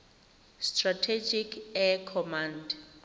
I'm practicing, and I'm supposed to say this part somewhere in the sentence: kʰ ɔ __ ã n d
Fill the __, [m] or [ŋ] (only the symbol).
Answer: m